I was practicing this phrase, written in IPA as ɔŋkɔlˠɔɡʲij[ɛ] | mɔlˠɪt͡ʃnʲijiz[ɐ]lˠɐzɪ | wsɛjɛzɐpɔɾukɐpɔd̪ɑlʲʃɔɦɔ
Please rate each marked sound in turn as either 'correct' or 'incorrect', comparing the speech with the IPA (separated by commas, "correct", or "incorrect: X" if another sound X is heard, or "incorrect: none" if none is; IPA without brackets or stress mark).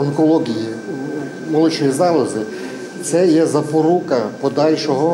incorrect: i, incorrect: ɑ